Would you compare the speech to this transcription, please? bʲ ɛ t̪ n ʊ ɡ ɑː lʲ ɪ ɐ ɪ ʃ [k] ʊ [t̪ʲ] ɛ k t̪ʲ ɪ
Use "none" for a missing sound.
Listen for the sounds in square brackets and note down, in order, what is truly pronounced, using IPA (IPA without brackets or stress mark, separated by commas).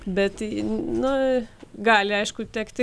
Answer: k, t̪ʲ